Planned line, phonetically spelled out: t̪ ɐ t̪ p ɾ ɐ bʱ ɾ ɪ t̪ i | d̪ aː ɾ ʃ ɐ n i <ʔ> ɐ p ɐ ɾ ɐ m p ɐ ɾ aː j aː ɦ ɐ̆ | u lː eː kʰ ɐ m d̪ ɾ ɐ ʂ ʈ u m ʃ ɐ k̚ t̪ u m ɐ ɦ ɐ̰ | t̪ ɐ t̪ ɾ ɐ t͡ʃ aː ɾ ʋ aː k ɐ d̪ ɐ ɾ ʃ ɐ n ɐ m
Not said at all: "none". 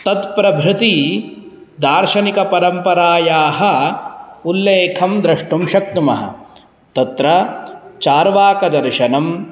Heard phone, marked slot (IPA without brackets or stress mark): k